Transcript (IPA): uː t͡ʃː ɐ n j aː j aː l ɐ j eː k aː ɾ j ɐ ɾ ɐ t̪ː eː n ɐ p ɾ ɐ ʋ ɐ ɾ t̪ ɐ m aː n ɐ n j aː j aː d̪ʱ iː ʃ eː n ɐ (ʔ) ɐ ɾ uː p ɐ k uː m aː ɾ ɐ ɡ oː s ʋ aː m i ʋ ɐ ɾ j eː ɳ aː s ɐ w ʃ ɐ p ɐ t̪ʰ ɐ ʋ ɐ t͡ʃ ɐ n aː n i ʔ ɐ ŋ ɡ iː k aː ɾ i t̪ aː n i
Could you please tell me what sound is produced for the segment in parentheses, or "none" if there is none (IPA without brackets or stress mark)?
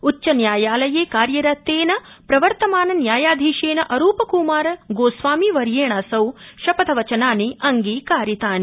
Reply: ʔ